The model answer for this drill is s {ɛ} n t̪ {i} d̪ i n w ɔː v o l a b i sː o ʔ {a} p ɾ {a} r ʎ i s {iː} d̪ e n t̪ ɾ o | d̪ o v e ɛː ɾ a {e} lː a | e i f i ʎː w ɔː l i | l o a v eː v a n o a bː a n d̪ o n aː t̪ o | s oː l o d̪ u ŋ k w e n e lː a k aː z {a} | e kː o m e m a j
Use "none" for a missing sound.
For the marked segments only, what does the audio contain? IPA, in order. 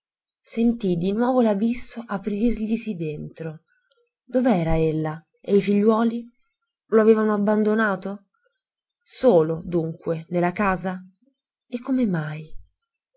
e, i, a, i, i, e, a

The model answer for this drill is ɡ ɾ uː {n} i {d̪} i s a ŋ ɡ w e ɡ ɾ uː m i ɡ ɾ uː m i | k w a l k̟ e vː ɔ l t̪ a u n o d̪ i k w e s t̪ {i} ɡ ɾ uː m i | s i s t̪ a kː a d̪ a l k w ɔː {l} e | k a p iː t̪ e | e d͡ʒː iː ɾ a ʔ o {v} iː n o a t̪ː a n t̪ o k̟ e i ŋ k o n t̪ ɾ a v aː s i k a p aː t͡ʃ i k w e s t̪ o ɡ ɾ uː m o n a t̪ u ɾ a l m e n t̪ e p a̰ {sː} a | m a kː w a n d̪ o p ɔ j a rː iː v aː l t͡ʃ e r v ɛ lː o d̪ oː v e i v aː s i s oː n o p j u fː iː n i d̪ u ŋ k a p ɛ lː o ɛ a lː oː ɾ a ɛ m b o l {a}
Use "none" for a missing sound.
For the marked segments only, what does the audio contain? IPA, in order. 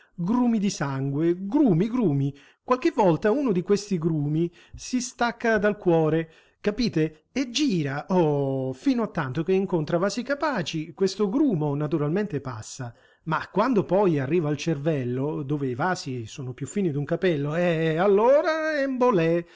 m, d̪, i, ɾ, f, sː, ɛ

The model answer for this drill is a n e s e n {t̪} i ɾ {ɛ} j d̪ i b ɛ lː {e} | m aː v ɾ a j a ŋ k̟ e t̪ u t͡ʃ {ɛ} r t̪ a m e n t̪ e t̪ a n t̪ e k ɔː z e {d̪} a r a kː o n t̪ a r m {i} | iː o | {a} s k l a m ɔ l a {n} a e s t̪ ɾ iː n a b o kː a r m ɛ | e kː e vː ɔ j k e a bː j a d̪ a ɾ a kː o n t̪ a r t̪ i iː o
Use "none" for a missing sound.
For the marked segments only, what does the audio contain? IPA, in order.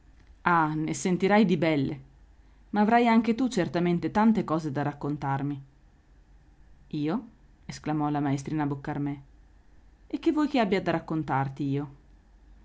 t̪, a, e, e, d̪, i, e, m

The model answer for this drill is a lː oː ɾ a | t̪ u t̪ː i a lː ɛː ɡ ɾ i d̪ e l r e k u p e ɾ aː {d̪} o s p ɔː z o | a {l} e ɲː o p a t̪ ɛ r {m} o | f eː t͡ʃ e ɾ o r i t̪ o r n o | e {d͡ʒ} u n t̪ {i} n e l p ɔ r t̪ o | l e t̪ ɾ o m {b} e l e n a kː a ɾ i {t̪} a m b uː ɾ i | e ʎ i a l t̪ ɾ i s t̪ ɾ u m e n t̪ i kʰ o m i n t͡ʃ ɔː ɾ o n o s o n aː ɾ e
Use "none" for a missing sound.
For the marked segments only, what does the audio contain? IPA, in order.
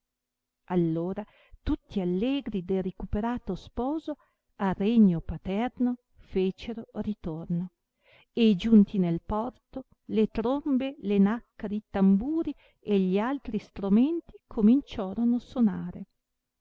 t̪, r, n, d͡ʒ, i, b, t̪

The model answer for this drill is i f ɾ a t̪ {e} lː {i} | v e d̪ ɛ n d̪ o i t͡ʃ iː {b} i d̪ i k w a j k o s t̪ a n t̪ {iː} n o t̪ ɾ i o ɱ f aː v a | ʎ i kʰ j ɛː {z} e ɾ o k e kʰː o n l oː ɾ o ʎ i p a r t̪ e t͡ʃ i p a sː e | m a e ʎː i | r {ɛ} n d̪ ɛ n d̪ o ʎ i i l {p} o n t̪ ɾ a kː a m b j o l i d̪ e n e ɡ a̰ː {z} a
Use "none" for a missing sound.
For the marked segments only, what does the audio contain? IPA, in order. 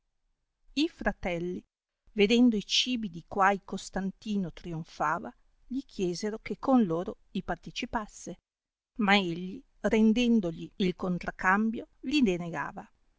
ɛ, i, b, iː, z, e, k, v

